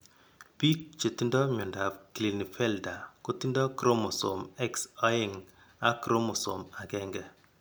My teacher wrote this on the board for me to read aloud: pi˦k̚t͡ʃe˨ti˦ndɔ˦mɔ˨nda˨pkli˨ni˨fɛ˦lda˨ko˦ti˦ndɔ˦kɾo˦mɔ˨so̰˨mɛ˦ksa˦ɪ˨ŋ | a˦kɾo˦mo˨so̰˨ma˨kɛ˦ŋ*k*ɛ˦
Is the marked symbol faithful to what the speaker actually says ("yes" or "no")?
no